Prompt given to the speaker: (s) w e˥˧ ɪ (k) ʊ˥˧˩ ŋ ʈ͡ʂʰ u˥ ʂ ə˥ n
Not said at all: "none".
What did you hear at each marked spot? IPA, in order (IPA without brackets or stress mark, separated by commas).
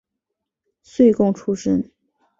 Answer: s, k